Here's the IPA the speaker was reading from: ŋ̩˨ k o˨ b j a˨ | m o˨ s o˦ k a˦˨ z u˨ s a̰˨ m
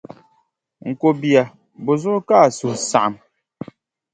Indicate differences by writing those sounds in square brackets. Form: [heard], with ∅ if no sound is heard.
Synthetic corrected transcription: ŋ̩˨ k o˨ b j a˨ | [b] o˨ [z] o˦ k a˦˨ [s] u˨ s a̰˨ m